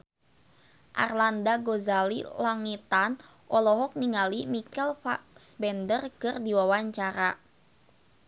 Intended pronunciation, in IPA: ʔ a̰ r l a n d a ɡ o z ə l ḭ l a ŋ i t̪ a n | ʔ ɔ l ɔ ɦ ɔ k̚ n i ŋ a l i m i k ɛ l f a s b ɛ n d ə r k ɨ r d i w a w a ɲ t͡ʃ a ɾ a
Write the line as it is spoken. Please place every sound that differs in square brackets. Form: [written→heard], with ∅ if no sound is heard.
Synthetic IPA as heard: ʔ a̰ r l a n d a ɡ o z [ə→a] l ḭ l a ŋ i t̪ a n | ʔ ɔ l ɔ ɦ ɔ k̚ n i ŋ a l i m i k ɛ l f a s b ɛ n d ə r k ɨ r d i w a w a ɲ t͡ʃ a ɾ a